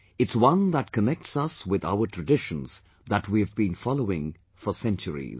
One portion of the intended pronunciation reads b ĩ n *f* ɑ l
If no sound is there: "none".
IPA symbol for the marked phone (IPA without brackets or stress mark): f